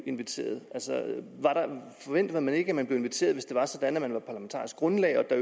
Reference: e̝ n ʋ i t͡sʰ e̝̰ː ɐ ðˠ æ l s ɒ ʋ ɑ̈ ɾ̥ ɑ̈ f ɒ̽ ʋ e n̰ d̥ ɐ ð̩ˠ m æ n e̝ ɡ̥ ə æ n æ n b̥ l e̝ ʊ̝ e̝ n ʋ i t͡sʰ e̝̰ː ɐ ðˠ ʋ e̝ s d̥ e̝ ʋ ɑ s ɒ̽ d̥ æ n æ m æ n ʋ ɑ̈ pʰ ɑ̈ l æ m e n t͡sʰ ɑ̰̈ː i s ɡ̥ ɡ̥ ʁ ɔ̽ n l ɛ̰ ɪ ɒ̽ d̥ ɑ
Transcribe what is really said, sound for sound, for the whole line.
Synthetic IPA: e̝ n ʋ i t͡sʰ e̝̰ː ɐ ðˠ æ l s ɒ ʋ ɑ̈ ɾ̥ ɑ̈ f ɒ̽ ʋ e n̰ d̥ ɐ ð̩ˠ m æ n e̝ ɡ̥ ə æ m æ n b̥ l e̝ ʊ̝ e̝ n ʋ i t͡sʰ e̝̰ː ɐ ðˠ ʋ e̝ s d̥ e̝ ʋ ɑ s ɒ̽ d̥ æ n æ m æ n ʋ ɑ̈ pʰ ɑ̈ l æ m e n t͡sʰ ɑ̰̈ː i s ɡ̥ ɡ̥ ʁ ɔ̽ n l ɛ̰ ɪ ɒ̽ d̥ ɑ